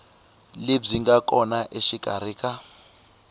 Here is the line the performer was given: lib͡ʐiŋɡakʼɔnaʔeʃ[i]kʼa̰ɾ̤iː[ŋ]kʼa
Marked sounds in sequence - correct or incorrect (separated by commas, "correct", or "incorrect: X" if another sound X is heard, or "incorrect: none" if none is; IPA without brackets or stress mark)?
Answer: correct, incorrect: none